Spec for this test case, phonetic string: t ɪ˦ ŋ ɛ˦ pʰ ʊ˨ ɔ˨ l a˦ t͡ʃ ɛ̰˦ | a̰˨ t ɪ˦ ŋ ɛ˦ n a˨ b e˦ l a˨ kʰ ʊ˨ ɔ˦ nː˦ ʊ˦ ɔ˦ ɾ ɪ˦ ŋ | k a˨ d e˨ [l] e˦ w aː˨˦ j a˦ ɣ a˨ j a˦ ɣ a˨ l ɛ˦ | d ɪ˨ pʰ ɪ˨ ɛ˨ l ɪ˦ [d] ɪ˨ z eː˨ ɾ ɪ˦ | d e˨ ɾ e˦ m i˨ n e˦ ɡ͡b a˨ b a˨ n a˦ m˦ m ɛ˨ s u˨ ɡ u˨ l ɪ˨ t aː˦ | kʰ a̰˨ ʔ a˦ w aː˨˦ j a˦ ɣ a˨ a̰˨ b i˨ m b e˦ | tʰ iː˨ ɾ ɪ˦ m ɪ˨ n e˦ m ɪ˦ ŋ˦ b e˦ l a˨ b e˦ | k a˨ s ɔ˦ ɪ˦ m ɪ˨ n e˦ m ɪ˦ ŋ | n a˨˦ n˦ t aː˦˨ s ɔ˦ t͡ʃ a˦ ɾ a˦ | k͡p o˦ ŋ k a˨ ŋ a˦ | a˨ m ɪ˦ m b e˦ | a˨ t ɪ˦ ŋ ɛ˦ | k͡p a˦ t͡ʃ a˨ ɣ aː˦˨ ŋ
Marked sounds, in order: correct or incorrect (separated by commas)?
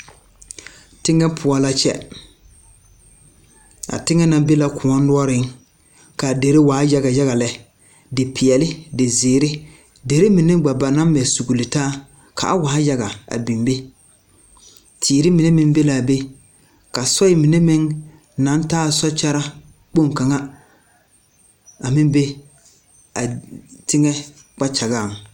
incorrect, correct